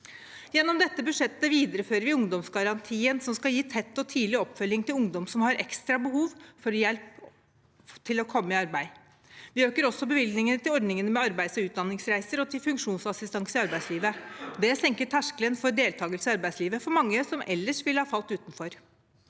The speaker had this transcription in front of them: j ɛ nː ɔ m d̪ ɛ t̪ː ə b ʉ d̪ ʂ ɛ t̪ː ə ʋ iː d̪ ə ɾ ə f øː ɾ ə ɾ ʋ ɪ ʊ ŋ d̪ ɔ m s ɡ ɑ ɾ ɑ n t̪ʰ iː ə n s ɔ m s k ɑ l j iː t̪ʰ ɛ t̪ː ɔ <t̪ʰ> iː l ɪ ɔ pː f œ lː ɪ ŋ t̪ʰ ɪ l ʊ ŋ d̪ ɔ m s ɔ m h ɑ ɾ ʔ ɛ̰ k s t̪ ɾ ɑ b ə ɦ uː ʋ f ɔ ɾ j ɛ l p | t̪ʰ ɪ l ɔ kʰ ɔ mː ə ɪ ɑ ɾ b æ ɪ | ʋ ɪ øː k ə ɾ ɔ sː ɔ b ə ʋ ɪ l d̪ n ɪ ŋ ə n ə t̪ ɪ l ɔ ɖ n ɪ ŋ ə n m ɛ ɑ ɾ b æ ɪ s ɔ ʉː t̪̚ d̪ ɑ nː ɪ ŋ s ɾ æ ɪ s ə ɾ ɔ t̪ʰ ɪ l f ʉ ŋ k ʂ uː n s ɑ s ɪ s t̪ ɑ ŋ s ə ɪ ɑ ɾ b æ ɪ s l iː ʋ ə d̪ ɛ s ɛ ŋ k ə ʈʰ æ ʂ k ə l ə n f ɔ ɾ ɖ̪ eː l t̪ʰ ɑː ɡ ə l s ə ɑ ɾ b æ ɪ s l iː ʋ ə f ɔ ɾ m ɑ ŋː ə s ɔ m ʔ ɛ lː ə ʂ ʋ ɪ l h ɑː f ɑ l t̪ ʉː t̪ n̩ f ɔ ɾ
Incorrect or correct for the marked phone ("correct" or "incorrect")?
correct